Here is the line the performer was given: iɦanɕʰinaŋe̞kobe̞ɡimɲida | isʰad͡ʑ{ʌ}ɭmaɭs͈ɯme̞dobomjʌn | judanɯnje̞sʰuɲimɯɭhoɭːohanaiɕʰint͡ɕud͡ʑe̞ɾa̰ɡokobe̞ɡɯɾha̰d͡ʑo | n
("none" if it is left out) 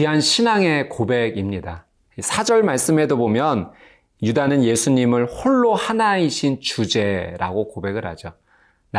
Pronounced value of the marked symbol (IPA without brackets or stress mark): ʌ